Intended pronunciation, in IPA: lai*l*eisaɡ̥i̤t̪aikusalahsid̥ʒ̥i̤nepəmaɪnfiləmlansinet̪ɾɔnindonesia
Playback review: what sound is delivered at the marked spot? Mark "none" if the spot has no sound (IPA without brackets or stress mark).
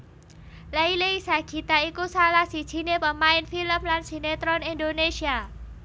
l